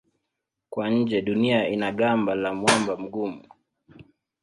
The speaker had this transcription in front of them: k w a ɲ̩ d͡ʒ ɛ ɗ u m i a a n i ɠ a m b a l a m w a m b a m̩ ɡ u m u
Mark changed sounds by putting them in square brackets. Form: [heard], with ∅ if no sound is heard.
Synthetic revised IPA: k w a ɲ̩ d͡ʒ ɛ ɗ u [n] i a [i] n [a] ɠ a m b a l a m w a m b a m̩ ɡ u m u